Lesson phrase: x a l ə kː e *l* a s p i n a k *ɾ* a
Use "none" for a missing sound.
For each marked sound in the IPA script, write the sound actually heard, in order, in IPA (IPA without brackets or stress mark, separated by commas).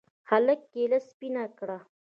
l, ɽ